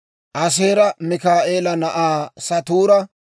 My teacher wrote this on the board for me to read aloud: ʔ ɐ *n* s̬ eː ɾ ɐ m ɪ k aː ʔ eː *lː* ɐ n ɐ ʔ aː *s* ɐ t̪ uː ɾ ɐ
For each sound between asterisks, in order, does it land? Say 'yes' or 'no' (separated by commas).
no, no, yes